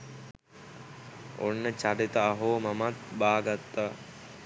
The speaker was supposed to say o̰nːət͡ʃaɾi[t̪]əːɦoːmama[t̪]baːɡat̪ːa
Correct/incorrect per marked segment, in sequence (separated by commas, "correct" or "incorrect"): correct, correct